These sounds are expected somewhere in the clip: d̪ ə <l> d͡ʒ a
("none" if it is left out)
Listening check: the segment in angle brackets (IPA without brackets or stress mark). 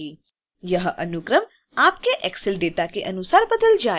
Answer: l